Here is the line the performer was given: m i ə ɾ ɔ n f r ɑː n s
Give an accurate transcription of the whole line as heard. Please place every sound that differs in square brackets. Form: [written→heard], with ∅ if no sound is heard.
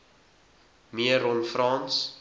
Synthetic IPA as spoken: m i ə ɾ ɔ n f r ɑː n s